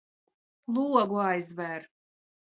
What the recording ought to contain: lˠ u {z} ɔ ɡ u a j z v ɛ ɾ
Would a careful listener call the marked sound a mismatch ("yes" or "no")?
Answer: yes